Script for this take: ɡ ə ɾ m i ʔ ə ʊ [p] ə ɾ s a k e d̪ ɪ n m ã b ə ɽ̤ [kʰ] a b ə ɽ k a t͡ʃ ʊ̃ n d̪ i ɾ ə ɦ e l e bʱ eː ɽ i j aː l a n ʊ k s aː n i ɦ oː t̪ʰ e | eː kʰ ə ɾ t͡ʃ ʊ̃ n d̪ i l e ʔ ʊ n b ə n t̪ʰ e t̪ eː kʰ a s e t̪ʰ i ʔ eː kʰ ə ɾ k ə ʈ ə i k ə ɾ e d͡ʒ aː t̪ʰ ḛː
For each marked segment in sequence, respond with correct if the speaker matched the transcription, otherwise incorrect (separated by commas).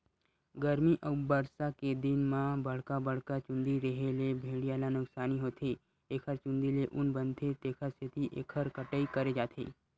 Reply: incorrect, incorrect